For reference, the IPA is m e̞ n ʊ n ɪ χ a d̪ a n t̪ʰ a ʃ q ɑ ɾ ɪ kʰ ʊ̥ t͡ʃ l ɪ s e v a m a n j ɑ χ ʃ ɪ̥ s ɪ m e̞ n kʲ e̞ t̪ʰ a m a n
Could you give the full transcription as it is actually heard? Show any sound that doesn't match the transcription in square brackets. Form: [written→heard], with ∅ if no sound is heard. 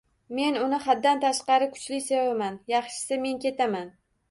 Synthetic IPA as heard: m e̞ n ʊ n ɪ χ a [d̪→d̪ː] a n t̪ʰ a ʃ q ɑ ɾ ɪ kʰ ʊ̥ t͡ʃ l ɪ s e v a m a n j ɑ χ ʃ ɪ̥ s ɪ m e̞ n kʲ e̞ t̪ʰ a m a n